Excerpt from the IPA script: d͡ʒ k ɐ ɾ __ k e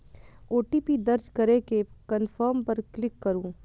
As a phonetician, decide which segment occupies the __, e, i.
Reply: e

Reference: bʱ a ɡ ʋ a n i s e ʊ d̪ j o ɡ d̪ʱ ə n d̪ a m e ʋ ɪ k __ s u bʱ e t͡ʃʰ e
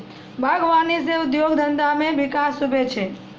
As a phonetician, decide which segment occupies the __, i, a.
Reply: a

